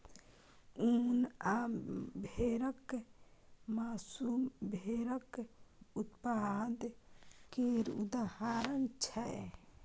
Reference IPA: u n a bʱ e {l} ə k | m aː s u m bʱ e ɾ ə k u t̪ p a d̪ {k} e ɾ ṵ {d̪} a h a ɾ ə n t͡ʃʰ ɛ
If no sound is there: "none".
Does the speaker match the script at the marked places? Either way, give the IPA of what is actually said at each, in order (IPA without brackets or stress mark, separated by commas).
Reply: ɾ, k, d̪